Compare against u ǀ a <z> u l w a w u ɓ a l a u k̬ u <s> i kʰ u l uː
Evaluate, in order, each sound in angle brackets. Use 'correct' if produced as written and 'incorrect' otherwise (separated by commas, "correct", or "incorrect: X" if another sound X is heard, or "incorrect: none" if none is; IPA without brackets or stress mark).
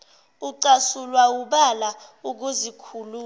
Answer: incorrect: s, incorrect: z